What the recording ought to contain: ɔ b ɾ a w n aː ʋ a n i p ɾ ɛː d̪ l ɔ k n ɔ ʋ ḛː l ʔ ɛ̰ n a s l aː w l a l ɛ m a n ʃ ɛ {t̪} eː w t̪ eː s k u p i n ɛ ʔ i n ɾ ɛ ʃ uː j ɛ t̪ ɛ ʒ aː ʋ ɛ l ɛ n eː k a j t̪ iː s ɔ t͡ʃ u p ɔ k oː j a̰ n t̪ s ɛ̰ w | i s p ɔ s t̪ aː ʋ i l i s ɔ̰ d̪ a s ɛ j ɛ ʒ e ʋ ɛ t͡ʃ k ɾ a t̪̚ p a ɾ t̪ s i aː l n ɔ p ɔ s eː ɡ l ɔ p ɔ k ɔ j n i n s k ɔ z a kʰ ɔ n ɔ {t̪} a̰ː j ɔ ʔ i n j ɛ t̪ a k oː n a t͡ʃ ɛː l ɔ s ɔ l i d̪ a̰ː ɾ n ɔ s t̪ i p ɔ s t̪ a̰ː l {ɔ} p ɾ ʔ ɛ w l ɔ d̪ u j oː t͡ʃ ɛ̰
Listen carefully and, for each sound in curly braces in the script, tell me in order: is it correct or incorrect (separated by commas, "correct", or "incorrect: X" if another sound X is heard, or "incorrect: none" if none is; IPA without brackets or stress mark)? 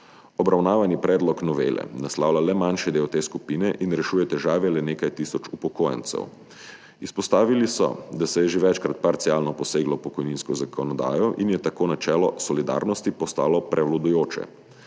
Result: incorrect: d̪, incorrect: d̪, correct